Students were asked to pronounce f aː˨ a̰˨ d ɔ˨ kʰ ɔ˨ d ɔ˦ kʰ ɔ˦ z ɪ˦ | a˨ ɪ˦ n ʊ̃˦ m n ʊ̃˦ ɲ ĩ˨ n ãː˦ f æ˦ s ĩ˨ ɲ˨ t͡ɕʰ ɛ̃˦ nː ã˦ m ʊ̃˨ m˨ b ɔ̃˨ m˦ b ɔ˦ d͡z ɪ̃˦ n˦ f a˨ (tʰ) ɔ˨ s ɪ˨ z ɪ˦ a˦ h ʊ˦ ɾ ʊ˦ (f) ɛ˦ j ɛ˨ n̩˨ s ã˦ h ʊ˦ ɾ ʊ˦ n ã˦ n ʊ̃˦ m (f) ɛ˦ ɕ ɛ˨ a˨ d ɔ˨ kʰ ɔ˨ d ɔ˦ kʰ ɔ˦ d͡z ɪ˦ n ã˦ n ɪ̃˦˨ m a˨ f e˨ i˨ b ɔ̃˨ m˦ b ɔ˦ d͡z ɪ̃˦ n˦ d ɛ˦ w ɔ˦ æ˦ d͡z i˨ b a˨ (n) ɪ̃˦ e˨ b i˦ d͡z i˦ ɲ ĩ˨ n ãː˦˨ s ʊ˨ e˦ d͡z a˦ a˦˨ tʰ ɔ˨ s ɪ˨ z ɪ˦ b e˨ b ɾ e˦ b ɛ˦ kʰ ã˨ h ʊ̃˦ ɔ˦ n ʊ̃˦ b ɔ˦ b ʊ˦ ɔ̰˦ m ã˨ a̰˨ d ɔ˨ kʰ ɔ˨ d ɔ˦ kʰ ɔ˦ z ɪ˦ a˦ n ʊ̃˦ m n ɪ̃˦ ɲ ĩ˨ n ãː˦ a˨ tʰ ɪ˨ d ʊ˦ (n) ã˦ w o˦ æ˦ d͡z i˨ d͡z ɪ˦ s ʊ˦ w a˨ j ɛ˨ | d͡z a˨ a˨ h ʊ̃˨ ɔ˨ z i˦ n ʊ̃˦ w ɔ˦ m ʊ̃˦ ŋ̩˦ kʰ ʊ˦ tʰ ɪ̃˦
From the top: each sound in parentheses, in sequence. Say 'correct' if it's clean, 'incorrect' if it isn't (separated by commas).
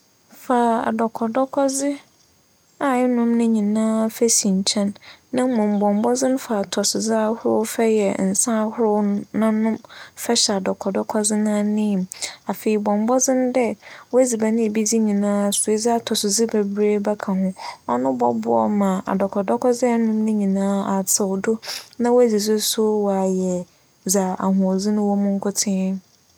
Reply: correct, correct, correct, correct, correct